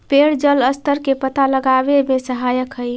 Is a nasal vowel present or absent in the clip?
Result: absent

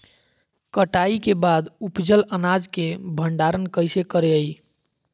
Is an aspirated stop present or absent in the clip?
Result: absent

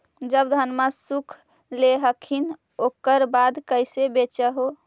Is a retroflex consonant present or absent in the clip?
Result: absent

